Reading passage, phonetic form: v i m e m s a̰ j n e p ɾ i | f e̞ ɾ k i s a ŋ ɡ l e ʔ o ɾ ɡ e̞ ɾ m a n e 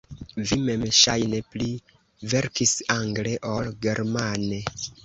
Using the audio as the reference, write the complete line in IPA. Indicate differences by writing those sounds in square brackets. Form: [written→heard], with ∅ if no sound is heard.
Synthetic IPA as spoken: v i m e m [s→ʃ] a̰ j n e p [ɾ→l] i | [f→v] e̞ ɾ k i s a ŋ ɡ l e ʔ o [ɾ→l] ɡ e̞ ɾ m a n e